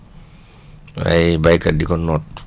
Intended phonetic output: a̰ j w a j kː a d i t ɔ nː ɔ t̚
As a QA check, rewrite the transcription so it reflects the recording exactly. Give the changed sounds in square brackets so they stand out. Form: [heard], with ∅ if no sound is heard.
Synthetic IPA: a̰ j [b] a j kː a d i [k] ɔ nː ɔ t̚